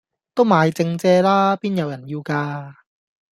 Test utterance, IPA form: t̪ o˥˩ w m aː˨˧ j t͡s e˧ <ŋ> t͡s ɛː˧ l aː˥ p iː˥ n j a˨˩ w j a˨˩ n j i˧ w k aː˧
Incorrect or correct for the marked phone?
correct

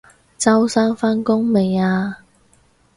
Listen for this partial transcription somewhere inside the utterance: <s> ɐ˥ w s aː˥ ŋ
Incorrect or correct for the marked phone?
incorrect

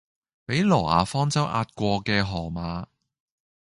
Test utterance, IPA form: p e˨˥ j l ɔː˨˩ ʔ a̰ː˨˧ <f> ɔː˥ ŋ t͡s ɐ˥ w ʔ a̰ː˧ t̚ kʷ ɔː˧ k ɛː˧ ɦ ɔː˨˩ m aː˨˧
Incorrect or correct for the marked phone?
correct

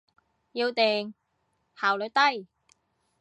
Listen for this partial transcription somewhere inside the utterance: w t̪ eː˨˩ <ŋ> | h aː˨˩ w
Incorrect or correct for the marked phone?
correct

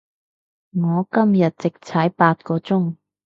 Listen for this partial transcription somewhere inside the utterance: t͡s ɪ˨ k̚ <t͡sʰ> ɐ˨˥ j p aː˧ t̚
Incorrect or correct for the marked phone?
correct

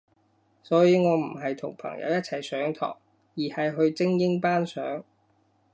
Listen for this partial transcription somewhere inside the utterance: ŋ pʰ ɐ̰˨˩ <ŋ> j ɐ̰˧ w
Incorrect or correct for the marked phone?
correct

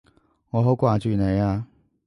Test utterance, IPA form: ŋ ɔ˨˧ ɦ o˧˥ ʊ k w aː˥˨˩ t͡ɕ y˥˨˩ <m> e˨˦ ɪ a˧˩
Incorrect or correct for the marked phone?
incorrect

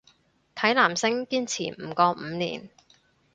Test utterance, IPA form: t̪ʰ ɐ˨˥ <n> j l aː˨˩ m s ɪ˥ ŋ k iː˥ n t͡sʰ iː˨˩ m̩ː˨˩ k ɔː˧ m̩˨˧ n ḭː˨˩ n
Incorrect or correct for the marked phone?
incorrect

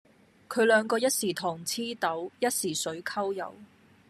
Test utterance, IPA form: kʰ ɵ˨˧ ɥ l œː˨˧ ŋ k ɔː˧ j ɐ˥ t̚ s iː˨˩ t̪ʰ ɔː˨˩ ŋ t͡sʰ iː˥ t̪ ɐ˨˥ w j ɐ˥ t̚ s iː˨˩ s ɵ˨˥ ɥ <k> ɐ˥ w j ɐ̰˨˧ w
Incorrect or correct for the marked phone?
incorrect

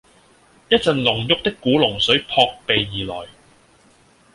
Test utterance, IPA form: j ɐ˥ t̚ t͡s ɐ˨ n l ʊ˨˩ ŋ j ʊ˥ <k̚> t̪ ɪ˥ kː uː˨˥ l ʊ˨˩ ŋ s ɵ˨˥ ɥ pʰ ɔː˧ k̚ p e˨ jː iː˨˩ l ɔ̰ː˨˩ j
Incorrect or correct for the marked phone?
correct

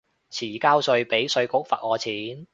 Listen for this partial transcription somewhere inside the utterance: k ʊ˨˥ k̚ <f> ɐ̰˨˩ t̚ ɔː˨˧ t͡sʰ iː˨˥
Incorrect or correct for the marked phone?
correct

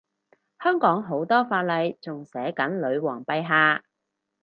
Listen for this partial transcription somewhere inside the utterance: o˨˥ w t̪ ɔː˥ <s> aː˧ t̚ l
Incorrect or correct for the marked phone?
incorrect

